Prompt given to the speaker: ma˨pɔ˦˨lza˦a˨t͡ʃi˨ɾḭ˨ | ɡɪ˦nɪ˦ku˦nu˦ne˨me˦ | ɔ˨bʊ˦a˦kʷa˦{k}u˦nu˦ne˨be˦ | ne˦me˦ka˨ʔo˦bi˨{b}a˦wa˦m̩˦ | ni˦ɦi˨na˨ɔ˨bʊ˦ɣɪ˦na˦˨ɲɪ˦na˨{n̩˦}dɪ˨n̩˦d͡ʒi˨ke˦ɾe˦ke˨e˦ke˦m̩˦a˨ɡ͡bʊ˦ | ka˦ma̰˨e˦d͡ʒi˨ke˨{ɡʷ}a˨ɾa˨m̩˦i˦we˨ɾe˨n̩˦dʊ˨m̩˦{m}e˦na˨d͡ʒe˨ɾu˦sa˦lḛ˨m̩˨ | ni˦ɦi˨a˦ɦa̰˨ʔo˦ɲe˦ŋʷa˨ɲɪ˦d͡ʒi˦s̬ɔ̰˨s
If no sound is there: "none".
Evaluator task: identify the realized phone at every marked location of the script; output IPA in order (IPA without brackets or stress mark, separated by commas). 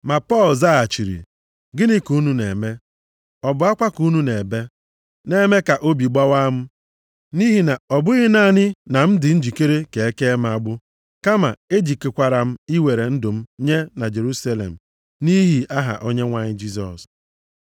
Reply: k, ɡ͡b, m̩˦, kʷ, ɲ